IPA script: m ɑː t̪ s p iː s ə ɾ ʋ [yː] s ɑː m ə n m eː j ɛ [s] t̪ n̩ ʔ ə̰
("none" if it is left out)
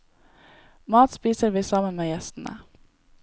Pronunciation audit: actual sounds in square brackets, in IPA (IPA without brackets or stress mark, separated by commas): iː, s